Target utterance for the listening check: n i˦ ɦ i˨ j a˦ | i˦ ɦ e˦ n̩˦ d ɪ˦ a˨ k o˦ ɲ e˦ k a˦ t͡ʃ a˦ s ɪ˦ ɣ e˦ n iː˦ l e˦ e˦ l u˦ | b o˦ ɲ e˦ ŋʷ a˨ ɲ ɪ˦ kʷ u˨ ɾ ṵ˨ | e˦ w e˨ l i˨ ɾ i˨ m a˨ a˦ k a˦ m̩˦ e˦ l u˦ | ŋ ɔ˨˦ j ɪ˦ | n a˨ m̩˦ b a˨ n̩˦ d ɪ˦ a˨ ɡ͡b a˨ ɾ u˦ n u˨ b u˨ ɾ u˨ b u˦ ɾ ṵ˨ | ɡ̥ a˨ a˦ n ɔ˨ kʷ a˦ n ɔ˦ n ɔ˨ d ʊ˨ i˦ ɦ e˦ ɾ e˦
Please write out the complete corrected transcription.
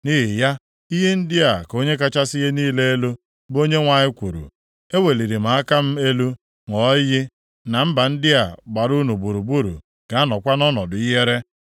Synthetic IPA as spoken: n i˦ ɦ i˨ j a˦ | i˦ ɦ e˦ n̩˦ d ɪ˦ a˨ k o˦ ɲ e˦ k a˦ t͡ʃ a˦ s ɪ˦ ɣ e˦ n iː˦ l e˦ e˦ l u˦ | b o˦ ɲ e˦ ŋʷ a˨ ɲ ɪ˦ kʷ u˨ ɾ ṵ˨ | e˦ w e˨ l i˨ ɾ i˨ m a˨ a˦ k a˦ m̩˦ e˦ l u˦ | ŋ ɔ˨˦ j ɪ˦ | n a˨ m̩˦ b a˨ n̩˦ d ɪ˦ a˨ ɡ͡b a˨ ɾ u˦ n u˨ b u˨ ɾ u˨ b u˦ ɾ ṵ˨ | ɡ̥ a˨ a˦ n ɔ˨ kʷ a˦ n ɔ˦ n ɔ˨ d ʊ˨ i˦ ɦ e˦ ɾ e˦

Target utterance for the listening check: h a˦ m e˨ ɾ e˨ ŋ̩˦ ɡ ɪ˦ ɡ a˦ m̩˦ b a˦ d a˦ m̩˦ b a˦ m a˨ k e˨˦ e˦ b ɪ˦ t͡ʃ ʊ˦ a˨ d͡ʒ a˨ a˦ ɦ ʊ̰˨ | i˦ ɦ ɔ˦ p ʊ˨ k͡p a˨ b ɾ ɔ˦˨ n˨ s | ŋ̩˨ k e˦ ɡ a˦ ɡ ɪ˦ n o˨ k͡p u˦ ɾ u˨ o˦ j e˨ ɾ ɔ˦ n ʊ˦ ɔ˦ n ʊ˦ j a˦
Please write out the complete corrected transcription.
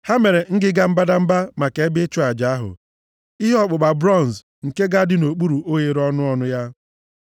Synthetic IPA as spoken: h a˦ m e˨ ɾ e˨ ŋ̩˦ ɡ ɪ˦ ɡ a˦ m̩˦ b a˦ d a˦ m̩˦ b a˦ m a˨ k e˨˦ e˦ b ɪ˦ t͡ʃ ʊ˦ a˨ d͡ʒ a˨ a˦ ɦ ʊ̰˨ | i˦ ɦ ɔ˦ k͡p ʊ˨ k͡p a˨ b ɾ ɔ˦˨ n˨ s | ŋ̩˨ k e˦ ɡ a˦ d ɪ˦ n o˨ k͡p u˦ ɾ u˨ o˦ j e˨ ɾ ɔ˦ n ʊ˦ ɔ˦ n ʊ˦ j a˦

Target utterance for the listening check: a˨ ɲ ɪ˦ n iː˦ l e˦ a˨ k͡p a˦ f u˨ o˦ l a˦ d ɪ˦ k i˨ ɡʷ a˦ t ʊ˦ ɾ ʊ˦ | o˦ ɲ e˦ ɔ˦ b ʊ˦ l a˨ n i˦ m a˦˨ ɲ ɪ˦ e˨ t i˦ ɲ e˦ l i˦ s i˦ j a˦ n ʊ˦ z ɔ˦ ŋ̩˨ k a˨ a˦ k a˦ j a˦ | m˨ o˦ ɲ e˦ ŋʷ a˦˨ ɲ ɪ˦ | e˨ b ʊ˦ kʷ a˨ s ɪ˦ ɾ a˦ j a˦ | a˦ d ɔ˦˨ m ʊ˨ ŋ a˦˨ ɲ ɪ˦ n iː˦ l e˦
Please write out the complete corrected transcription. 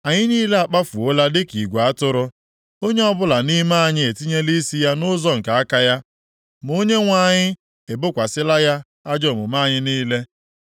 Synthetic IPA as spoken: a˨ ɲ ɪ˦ n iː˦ l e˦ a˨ k͡p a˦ f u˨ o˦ l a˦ d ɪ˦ k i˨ ɡʷ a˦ t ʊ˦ ɾ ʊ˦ | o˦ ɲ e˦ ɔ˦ b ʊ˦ l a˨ n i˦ m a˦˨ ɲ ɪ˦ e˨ t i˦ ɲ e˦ l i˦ s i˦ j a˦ n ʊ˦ z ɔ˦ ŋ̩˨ k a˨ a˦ k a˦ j a˦ | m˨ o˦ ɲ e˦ ŋʷ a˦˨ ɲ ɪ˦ | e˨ b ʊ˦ kʷ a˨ s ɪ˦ l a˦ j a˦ | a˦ d͡ʒ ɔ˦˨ m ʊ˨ m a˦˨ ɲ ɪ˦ n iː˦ l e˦

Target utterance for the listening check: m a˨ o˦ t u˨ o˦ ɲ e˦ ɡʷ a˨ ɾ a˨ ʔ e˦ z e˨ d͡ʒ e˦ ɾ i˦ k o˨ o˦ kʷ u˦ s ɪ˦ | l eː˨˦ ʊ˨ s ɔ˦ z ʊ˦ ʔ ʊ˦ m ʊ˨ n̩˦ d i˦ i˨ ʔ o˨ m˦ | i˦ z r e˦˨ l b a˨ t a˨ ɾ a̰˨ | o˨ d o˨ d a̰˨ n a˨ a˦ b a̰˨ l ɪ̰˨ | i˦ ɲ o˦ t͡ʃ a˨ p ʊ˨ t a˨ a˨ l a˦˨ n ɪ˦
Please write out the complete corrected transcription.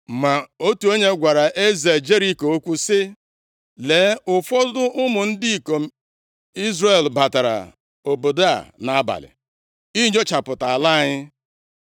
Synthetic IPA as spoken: m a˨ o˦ t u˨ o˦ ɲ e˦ ɡʷ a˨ ɾ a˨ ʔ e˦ z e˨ d͡ʒ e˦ ɾ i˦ k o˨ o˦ kʷ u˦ s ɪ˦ | l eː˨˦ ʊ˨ f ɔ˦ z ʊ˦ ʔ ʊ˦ m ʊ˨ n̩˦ d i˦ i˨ k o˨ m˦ | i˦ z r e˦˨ l b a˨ t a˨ ɾ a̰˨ | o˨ b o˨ d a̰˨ n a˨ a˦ b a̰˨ l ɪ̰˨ | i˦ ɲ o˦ t͡ʃ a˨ p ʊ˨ t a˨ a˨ l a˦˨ ɲ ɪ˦

